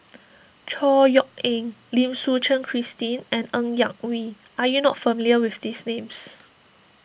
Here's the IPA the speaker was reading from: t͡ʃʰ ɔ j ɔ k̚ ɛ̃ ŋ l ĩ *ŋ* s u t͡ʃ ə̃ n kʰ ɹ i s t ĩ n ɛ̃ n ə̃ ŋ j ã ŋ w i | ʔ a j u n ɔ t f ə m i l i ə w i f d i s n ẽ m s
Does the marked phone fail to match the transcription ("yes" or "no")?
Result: yes